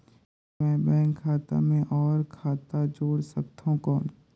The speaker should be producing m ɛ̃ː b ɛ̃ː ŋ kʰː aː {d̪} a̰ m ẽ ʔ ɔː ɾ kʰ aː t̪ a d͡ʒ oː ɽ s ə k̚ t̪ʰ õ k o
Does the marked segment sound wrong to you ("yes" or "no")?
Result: yes